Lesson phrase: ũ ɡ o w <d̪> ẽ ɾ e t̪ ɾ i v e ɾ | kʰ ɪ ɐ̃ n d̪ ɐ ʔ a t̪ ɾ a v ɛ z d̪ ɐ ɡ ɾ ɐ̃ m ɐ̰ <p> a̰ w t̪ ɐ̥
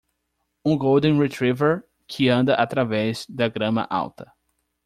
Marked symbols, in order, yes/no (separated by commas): yes, no